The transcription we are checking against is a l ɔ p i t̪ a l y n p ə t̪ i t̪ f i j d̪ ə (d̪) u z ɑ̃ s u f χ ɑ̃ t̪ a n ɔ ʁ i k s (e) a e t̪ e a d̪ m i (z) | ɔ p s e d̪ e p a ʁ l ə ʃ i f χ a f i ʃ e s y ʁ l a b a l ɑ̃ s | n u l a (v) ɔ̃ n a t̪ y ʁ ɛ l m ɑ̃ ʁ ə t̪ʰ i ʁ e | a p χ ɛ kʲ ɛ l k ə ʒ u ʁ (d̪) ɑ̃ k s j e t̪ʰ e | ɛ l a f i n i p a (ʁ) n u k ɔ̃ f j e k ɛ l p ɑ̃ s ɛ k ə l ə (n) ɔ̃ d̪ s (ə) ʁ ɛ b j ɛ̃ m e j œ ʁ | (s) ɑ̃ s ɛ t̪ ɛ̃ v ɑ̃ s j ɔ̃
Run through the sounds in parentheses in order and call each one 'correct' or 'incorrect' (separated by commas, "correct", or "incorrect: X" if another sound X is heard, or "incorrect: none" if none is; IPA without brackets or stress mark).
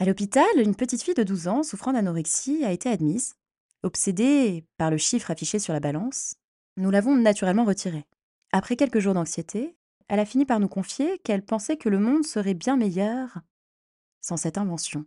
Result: correct, incorrect: i, correct, correct, correct, correct, incorrect: m, correct, correct